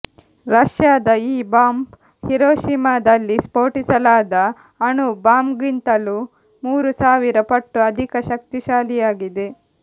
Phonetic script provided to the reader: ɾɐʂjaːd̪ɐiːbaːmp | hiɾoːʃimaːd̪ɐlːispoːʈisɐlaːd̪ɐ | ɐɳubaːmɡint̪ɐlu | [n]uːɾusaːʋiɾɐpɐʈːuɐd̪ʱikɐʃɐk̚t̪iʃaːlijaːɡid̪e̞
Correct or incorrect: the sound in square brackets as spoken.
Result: incorrect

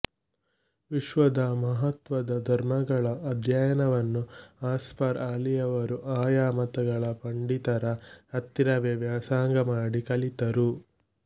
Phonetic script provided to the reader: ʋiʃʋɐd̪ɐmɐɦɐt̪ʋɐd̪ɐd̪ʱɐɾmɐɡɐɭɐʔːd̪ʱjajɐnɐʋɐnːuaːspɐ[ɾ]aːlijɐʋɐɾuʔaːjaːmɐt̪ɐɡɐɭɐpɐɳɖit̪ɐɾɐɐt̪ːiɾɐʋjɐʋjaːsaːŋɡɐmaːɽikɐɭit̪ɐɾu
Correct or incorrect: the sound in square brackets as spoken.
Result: correct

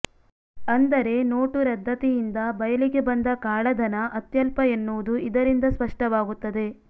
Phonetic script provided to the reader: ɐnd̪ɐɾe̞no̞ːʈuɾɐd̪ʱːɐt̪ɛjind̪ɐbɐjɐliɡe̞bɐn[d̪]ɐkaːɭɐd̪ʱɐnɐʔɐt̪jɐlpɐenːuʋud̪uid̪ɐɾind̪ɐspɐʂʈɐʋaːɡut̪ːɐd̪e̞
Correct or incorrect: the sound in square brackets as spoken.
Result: correct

